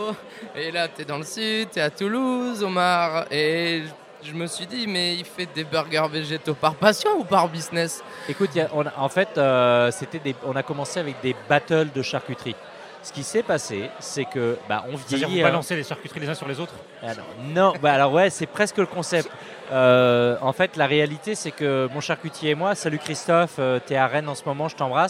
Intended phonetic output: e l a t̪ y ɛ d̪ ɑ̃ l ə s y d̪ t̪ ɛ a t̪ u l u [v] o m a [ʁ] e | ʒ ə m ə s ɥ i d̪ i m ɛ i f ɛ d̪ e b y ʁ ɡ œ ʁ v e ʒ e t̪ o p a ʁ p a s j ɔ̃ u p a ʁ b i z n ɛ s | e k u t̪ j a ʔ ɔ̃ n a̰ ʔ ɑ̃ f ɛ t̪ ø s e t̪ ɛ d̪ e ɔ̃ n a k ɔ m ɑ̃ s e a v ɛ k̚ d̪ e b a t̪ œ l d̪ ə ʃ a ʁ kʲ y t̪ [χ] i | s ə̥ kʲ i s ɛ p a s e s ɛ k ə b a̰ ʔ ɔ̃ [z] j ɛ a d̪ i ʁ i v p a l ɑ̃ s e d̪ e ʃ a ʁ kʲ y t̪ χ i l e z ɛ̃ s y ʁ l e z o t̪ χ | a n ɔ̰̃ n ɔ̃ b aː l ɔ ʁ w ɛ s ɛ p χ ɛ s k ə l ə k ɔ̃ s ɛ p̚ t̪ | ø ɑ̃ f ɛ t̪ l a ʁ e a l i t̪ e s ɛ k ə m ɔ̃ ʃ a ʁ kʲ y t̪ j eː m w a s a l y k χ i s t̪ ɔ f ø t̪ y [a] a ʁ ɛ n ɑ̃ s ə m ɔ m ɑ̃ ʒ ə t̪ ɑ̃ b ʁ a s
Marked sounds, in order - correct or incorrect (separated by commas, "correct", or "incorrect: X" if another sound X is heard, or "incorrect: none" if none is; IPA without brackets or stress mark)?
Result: incorrect: z, correct, correct, incorrect: v, incorrect: ɛ